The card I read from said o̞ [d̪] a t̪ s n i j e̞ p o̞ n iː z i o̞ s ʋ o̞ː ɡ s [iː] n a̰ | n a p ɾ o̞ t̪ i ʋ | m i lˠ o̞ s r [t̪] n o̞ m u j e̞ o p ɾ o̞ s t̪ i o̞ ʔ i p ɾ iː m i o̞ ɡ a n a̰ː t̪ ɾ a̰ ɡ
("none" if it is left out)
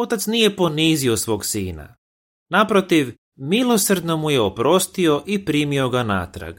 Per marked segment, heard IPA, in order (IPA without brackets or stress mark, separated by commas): t̪, iː, d̪